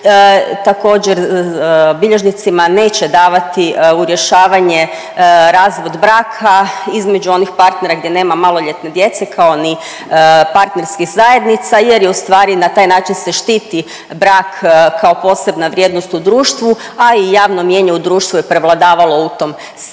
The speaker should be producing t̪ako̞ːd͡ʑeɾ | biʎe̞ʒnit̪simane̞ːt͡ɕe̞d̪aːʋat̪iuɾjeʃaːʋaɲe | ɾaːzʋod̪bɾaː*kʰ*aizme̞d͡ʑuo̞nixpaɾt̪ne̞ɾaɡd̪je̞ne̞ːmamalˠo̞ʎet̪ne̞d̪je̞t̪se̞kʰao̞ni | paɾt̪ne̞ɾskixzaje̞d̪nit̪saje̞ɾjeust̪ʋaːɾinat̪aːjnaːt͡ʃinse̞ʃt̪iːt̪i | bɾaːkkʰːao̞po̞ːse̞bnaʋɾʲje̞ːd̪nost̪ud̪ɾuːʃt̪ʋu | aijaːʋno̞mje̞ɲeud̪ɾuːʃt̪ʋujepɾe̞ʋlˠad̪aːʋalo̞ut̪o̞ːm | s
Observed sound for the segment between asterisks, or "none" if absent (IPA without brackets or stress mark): kʰ